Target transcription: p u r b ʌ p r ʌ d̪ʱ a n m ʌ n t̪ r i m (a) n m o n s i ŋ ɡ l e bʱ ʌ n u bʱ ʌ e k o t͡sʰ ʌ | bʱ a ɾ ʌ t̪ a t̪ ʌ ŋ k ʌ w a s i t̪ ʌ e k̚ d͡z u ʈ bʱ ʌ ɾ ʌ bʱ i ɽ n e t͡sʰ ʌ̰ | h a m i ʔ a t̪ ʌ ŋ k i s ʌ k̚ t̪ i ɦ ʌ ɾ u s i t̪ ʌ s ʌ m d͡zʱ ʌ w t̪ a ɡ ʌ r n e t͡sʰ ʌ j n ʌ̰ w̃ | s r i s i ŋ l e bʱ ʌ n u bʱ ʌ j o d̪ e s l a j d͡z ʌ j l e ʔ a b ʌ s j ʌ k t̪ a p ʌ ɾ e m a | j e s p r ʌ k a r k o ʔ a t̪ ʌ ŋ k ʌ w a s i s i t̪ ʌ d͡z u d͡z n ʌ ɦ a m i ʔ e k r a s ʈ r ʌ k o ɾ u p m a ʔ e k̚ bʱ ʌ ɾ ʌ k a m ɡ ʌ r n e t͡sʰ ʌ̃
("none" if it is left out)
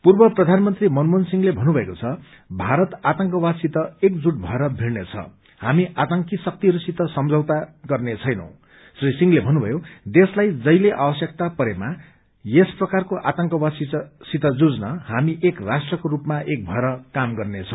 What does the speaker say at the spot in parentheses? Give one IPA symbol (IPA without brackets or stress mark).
ʌ